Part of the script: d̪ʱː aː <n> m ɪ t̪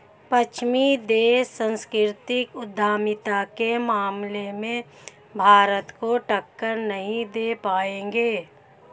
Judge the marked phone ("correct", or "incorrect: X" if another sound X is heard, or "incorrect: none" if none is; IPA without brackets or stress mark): incorrect: none